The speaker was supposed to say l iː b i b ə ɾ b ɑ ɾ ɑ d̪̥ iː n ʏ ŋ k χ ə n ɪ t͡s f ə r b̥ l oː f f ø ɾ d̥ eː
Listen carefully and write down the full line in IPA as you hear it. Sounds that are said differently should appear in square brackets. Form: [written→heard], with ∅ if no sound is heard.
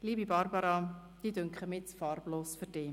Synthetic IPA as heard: l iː b i b [ə→ɑ] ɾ b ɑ ɾ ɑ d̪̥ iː [n→d] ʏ ŋ k χ ə [n→m] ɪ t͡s f [ə→ɑ] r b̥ l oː [f→s] f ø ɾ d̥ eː